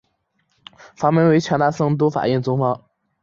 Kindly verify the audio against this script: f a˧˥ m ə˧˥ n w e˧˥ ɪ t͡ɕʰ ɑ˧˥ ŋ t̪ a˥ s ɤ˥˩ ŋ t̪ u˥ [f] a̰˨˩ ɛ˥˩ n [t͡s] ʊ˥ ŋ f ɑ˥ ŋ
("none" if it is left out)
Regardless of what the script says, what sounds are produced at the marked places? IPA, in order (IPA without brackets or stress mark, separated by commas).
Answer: f, t͡s